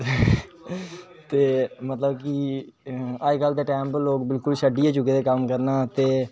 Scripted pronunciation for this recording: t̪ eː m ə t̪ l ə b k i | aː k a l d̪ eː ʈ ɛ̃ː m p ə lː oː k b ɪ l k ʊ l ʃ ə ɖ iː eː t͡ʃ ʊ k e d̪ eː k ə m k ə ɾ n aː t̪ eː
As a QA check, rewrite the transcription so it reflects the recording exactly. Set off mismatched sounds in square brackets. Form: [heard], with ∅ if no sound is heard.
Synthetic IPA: t̪ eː m ə t̪ l ə b k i | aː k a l d̪ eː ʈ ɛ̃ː m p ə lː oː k b ɪ l k ʊ l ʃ ə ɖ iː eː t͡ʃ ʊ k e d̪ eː k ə m k ə ɾ n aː t̪ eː